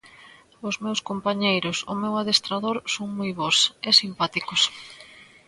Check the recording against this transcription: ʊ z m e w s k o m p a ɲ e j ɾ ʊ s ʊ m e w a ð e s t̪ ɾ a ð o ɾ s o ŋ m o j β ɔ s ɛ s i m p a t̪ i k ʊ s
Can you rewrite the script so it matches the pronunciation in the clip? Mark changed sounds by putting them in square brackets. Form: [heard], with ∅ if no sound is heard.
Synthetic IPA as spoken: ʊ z m e w s k o m p a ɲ e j ɾ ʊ s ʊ m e w a ð e s t̪ ɾ a ð o ɾ s o ŋ m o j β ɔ s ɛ s i m p a t̪ i k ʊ s